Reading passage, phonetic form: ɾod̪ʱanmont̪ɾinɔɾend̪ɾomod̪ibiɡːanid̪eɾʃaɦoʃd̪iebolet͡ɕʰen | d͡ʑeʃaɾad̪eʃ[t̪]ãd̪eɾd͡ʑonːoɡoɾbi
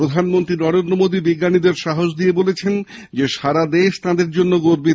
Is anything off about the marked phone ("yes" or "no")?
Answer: no